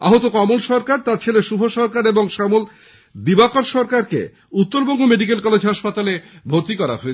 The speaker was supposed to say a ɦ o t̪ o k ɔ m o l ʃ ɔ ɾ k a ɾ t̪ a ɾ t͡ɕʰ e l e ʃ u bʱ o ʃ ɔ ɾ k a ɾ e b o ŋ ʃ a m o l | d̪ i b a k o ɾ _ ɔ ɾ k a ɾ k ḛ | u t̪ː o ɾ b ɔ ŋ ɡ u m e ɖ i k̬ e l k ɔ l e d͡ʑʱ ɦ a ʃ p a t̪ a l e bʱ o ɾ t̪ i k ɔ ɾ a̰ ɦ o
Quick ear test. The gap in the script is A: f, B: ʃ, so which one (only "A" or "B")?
B